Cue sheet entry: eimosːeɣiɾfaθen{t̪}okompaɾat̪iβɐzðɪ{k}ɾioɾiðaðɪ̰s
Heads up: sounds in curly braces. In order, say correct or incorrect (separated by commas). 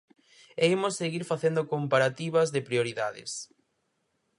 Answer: incorrect, incorrect